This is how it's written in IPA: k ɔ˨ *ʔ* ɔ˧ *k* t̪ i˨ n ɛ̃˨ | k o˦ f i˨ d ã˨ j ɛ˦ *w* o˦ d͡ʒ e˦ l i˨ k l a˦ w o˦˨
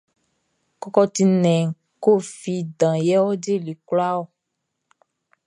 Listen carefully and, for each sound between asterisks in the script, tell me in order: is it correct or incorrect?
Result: incorrect: k, incorrect: none, correct

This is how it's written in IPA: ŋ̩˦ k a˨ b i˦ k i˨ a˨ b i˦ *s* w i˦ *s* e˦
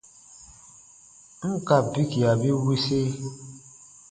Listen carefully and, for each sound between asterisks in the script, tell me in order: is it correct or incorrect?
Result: incorrect: none, correct

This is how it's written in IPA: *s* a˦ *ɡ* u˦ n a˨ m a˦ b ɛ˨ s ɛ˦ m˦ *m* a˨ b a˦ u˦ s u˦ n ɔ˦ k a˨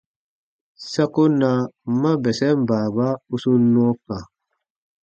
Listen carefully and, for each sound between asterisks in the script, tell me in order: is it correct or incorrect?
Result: correct, incorrect: k, incorrect: b

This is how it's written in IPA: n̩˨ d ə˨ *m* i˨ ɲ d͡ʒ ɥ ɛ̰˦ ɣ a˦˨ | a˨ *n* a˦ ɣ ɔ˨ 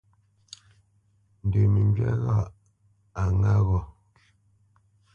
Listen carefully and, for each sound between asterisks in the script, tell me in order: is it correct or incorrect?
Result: correct, incorrect: ŋ

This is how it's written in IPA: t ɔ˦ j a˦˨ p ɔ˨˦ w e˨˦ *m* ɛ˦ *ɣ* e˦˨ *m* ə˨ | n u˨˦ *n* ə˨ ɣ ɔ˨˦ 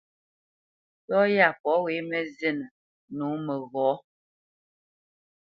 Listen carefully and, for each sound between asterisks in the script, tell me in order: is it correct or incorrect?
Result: correct, incorrect: z, incorrect: n, incorrect: m

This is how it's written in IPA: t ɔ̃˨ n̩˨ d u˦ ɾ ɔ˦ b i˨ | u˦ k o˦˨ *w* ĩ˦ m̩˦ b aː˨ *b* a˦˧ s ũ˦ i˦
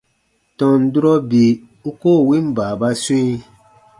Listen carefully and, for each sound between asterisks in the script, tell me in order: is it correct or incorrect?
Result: correct, correct

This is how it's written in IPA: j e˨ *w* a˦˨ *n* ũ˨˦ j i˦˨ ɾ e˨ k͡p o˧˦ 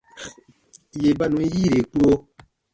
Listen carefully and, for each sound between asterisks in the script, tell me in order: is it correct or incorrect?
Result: incorrect: b, correct

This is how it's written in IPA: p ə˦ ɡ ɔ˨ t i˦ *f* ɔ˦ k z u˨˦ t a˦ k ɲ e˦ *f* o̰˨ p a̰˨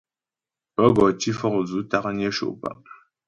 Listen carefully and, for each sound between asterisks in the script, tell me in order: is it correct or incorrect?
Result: correct, incorrect: ʃ

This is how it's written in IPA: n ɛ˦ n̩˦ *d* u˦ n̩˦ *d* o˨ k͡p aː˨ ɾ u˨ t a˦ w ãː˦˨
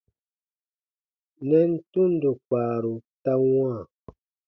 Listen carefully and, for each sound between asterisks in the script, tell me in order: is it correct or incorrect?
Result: incorrect: t, correct

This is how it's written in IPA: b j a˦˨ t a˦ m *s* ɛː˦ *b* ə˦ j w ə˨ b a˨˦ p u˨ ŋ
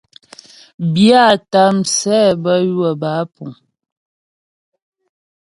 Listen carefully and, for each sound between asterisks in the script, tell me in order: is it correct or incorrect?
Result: correct, correct

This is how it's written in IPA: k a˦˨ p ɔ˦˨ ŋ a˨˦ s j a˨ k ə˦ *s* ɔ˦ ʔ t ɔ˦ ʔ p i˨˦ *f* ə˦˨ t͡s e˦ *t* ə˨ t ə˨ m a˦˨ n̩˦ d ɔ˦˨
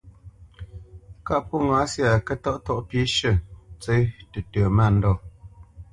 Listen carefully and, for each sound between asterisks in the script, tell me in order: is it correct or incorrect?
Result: incorrect: t, incorrect: ʃ, correct

